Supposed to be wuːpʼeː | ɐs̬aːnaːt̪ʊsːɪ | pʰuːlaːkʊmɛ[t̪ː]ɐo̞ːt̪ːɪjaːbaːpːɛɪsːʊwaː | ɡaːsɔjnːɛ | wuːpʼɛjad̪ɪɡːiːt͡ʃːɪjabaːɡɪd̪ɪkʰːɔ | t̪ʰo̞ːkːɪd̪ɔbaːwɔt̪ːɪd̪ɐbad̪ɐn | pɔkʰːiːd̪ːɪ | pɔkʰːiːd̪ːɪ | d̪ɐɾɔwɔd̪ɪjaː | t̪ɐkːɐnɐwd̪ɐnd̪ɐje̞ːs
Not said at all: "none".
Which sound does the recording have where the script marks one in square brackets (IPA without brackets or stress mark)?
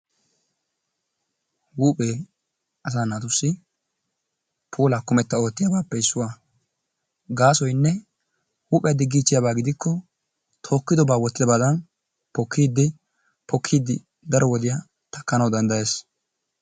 t̪ː